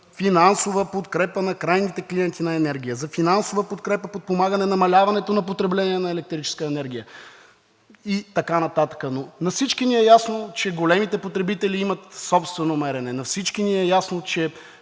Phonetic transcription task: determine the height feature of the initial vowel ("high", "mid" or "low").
high